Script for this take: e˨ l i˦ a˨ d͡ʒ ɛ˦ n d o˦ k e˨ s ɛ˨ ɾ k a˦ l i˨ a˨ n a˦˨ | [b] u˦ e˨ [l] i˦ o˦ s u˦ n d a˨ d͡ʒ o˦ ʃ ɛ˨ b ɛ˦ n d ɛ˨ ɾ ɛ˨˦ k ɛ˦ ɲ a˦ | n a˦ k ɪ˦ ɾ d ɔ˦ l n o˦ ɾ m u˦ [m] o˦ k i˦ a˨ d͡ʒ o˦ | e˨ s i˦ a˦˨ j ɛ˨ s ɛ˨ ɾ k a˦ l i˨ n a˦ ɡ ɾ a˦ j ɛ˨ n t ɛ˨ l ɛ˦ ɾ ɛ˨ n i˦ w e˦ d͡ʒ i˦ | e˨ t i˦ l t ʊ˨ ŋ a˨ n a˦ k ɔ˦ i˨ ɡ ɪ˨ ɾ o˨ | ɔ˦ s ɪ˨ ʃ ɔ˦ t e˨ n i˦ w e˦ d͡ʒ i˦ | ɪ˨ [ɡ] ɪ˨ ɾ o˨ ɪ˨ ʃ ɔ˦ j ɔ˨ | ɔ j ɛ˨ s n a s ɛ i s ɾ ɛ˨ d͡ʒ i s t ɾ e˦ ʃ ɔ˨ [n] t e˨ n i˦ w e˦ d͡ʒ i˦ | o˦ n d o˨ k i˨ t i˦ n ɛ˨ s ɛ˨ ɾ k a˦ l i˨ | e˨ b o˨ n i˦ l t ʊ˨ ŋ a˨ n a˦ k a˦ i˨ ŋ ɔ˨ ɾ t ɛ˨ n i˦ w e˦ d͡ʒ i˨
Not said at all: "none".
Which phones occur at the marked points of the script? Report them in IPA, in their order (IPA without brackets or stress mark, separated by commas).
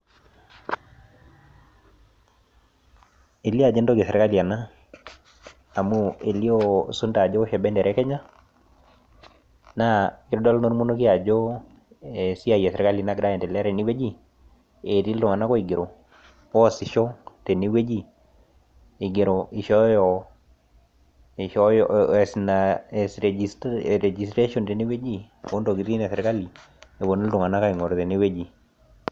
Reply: m, l, n, ɡ, n